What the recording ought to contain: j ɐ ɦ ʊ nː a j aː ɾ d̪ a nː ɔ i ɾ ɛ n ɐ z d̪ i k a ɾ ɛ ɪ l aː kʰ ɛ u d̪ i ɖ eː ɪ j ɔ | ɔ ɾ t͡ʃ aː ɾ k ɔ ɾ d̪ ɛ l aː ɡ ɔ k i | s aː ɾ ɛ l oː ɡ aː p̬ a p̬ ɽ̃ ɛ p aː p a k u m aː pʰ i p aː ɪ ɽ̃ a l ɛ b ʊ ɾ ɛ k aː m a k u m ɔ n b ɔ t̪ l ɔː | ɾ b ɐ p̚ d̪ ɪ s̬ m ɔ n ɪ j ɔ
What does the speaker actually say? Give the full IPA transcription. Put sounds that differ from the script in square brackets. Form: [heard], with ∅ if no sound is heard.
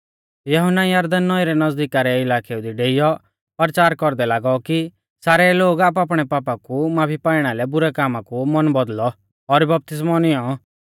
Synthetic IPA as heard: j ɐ ɦ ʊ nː a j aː ɾ d̪ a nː ɔ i ɾ ɛ n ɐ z d̪ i k a ɾ ɛ ɪ l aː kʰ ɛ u d̪ i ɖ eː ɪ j ɔ | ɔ ɾ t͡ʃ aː ɾ k ɔ ɾ d̪ ɛ l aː ɡ ɔ k i | s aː ɾ ɛ l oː ɡ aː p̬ a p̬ ɽ̃ ɛ p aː p a k u m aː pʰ i p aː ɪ ɽ̃ a l ɛ b ʊ ɾ ɛ k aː m a k u m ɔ n b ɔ [d̪] l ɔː | ɾ b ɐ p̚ [t̪] ɪ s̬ m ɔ n ɪ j ɔ

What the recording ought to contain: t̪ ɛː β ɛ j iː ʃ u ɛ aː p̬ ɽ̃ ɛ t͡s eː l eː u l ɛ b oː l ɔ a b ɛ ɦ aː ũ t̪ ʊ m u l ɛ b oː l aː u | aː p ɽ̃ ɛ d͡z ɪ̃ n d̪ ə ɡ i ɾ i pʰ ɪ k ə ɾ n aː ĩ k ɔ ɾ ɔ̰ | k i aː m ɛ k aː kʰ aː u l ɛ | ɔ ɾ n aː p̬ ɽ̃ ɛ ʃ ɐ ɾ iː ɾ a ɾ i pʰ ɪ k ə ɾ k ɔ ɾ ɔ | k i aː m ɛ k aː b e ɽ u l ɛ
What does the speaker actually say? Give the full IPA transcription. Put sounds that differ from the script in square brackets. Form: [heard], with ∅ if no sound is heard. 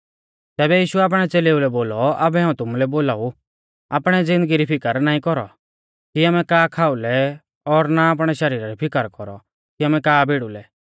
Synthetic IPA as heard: t̪ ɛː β ɛ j iː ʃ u ɛ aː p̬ ɽ̃ ɛ t͡s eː l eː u l ɛ b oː l ɔ a b ɛ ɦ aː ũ t̪ ʊ m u l ɛ b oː l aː u | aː p ɽ̃ ɛ d͡z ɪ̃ n d̪ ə ɡ i ɾ i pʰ ɪ k ə ɾ n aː ĩ k ɔ ɾ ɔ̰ | k i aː m ɛ k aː kʰ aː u l ɛ | ɔ ɾ n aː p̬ ɽ̃ ɛ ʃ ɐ ɾ iː ɾ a ɾ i pʰ ɪ k ə ɾ k ɔ ɾ ɔ | k i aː m ɛ k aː b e ɽ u l ɛ

